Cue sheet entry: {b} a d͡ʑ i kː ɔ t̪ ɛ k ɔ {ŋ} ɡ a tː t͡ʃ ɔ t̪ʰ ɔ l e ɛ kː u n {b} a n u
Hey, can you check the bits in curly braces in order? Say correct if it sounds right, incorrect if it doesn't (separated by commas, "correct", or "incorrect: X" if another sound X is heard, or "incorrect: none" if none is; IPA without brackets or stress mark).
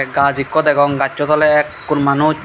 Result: incorrect: ɡ, correct, incorrect: m